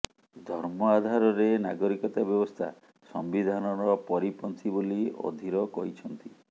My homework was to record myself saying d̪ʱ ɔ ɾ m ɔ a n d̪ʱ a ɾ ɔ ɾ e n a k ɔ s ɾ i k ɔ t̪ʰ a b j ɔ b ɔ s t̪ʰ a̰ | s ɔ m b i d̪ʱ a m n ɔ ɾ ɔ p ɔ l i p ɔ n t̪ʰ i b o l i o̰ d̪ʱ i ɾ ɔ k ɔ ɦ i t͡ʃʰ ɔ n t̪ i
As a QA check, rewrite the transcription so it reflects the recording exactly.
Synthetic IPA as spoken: d̪ʱ ɔ ɾ m ɔ a d̪ʱ a ɾ ɔ ɾ e n a ɡ ɔ ɾ i k ɔ t̪ a b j ɔ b ɔ s t̪ʰ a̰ | s ɔ m b i d̪ʱ a n ɔ ɾ ɔ p ɔ ɾ i p ɔ n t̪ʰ i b o l i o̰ d̪ʱ i ɾ ɔ k ɔ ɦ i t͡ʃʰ ɔ n t̪ i